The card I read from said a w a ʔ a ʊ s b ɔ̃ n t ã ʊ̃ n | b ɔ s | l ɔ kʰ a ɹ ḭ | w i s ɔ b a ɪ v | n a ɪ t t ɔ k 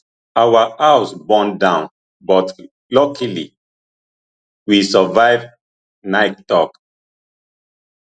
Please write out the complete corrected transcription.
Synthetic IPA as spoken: a w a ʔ a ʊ s b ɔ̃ n d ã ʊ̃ n | b ɔ t | l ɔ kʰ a l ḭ | w i s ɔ v a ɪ v | n a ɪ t t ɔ k